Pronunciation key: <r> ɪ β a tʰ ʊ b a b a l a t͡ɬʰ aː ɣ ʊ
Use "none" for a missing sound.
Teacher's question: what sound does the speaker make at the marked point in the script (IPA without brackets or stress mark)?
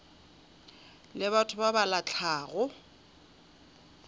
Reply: l